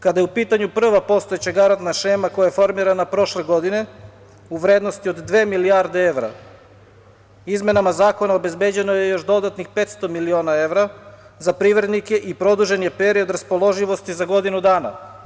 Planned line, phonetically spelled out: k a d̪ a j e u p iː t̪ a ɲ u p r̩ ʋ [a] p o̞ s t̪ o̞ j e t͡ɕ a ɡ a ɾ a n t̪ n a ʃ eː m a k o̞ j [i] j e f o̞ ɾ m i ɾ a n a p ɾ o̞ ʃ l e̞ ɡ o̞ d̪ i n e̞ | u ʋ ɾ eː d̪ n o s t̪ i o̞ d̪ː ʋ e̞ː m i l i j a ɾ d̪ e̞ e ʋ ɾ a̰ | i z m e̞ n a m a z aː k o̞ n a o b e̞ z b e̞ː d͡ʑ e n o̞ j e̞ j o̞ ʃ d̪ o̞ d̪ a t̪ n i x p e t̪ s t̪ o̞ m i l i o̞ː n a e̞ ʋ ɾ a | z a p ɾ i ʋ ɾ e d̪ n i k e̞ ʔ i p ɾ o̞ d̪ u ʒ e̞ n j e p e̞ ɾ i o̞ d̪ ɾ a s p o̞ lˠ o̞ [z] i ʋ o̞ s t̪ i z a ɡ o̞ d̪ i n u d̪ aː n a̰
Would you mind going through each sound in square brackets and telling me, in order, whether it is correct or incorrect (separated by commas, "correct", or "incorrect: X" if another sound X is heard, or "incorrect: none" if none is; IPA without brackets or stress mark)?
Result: correct, incorrect: a, incorrect: ʒ